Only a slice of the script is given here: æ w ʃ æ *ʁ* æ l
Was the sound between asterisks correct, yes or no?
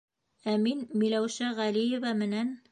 yes